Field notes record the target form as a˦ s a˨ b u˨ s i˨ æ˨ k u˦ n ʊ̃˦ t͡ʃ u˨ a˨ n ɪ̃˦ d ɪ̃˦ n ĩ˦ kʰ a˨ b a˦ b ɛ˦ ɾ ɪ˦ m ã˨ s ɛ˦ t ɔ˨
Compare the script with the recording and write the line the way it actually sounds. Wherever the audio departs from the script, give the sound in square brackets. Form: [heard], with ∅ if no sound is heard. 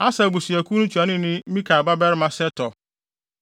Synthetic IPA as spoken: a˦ s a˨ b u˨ s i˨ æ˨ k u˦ n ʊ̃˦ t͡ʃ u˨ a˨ n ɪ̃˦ [n] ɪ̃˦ [m] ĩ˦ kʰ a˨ b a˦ b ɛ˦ ɾ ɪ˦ m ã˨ s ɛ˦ t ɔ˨